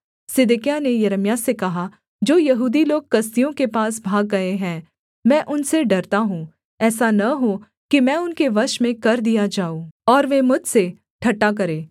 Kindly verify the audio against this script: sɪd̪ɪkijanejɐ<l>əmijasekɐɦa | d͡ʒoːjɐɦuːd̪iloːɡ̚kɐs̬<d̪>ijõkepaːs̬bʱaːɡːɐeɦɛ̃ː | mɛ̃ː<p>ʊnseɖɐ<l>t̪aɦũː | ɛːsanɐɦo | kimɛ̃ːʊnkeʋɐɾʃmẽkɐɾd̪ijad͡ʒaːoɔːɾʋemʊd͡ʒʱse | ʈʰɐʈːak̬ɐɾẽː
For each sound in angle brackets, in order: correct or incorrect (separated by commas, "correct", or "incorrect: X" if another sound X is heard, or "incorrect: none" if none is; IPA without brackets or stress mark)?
incorrect: ɾ, incorrect: t̪, incorrect: ʔ, incorrect: ɾ